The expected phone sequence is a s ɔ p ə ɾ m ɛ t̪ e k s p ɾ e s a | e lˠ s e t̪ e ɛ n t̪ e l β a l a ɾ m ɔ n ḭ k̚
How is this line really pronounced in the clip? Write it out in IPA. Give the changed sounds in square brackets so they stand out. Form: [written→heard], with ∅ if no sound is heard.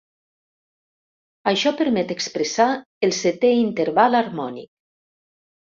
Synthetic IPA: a [s→ʃ] ɔ p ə ɾ m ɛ t̪ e k s p ɾ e s a | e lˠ s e t̪ e [ɛ→i] n t̪ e [l→ɾ] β a l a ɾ m ɔ n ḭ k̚